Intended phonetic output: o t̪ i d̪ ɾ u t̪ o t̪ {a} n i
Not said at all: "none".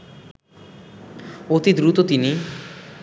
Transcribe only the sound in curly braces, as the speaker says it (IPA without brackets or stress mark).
i